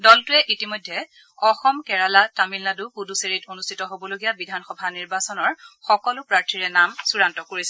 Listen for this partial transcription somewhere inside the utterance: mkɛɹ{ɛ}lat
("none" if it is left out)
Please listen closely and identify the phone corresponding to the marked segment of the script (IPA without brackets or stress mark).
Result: a